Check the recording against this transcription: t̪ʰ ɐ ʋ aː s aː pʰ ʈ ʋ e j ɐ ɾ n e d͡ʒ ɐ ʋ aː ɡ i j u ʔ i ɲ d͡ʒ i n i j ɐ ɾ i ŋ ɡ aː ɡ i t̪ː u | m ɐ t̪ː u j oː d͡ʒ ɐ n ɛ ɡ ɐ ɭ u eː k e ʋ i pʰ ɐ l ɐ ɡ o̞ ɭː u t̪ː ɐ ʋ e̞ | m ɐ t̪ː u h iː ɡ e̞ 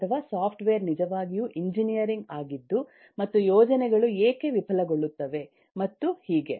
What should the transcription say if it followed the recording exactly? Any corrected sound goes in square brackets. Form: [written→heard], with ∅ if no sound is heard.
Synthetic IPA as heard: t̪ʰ ɐ ʋ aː s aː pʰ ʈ ʋ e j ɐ ɾ n [e→i] d͡ʒ ɐ ʋ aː ɡ i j u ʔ i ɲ d͡ʒ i n i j ɐ ɾ i ŋ ɡ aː ɡ i [t̪ː→d̪ː] u | m ɐ t̪ː u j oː d͡ʒ ɐ n ɛ ɡ ɐ ɭ u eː k e ʋ i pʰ ɐ l ɐ ɡ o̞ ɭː u t̪ː ɐ ʋ e̞ | m ɐ t̪ː u h iː ɡ e̞